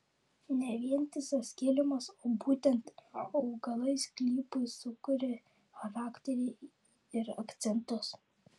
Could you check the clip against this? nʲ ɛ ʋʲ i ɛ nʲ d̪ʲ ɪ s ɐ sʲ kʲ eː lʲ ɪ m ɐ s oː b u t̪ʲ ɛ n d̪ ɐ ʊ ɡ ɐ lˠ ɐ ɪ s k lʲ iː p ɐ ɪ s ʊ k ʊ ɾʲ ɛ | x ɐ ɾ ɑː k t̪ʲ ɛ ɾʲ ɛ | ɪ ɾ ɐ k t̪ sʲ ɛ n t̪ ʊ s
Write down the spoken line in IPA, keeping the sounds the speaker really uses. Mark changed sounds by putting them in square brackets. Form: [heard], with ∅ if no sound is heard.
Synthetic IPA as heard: nʲ ɛ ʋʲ i ɛ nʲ [t̪ʲ] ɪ s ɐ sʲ kʲ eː lʲ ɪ m ɐ s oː b [uː] t̪ʲ ɛ n [t̪] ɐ ʊ ɡ ɐ lˠ ɐ ɪ s k lʲ iː p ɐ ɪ s ʊ k ʊ ɾʲ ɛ | x ɐ ɾ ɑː k t̪ʲ ɛ ɾʲ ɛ | ɪ ɾ ɐ k t̪ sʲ ɛ n t̪ ʊ s